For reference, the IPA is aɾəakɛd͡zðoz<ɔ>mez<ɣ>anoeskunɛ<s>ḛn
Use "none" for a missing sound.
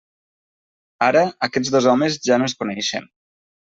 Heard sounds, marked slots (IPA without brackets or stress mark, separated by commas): ɔ, ʒ, ʃ